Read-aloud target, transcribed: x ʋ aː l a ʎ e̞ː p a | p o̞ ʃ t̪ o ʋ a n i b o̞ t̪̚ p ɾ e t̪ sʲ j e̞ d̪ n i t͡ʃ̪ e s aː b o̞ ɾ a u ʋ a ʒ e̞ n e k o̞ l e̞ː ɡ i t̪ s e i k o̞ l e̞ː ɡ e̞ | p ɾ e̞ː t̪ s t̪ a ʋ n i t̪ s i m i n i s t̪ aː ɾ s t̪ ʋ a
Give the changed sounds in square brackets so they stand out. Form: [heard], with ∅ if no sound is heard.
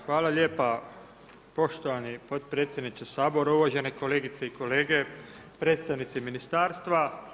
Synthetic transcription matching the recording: x ʋ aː l a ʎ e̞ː p a | p o̞ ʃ t̪ o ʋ a n i [p] o̞ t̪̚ p ɾ e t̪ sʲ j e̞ d̪ n i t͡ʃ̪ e s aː b o̞ ɾ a u ʋ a ʒ e̞ n e k o̞ l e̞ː ɡ i t̪ s e i k o̞ l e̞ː ɡ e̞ | p ɾ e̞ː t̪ s t̪ a ʋ n i t̪ s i m i n i s t̪ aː ɾ s t̪ ʋ a